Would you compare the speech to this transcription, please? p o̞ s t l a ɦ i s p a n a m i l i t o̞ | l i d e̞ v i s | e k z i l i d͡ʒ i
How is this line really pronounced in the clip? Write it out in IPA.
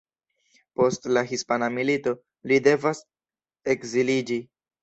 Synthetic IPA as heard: p o̞ s t l a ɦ i s p a n a m i l i t o̞ | l i d e̞ v a s | e k z i l i d͡ʒ i